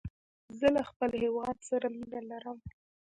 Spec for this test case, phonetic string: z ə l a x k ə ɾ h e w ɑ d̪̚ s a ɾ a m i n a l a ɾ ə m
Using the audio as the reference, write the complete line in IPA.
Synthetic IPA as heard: z ə l a x p ə l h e w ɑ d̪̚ s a ɾ a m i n a l a ɾ ə m